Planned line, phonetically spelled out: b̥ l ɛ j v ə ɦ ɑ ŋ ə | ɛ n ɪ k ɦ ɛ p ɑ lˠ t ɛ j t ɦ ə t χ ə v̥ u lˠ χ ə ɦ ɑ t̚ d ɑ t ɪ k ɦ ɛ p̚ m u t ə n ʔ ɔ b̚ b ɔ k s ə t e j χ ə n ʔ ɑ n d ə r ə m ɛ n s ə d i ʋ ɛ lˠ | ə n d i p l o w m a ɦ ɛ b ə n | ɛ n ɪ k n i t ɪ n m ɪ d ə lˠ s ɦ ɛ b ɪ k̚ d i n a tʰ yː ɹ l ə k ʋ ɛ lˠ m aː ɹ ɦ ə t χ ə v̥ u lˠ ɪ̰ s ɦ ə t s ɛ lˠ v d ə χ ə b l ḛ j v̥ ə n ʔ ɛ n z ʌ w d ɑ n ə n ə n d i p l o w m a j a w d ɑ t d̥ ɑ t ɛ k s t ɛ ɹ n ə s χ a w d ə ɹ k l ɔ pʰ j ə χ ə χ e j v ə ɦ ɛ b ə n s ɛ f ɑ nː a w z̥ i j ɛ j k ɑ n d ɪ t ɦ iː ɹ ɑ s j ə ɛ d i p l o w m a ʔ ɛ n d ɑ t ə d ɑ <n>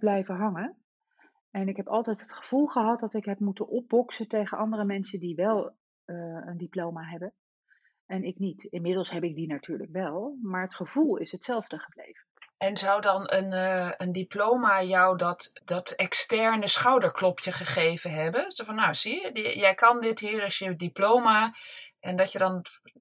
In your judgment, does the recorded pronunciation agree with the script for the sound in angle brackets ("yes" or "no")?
yes